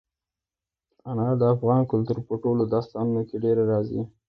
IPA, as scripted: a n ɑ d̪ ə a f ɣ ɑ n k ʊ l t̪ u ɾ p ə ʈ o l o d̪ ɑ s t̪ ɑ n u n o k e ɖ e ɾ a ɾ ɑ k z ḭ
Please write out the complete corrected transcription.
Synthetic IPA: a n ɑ d̪ ə a f ɣ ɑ n k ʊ l t̪ u ɾ p ə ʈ o l o d̪ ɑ s t̪ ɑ n u n o k e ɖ e ɾ a ɾ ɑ z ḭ